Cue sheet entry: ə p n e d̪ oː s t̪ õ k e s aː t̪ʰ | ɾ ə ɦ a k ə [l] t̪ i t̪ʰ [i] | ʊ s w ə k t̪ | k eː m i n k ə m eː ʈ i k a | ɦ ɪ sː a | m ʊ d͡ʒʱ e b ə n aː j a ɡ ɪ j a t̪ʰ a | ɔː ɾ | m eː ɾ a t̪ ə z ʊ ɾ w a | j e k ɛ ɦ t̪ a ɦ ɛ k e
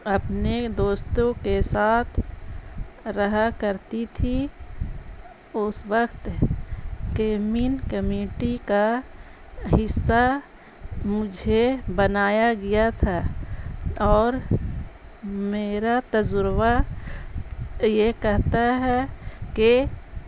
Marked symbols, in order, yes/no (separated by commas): no, yes